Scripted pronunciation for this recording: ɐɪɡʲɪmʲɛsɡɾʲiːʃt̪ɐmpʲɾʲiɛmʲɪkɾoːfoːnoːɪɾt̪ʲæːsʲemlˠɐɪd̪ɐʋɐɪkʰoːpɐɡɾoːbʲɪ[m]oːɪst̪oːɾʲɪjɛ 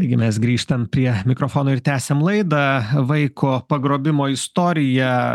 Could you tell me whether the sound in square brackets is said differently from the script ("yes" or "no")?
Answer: no